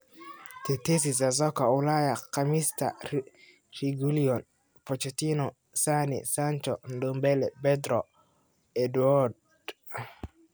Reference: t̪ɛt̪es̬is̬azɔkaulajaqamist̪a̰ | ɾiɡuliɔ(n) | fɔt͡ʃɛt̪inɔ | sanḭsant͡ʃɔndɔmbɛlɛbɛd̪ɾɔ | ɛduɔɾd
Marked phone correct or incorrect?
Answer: correct